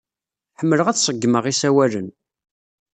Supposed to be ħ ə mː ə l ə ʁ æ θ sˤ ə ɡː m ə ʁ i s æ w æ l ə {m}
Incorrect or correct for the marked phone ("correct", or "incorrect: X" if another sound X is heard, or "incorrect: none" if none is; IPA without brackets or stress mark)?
incorrect: n